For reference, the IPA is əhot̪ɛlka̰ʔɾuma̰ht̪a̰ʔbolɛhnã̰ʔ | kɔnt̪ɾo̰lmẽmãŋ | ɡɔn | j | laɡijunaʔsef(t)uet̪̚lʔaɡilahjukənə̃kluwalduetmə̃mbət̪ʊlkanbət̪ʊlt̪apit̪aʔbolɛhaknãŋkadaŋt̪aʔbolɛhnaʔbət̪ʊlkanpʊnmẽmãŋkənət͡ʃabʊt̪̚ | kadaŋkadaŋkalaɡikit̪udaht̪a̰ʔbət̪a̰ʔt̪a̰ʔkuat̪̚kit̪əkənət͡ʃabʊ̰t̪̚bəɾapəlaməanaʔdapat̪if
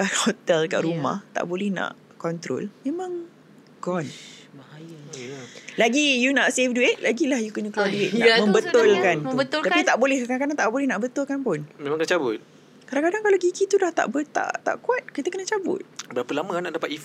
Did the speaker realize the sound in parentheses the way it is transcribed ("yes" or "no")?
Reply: no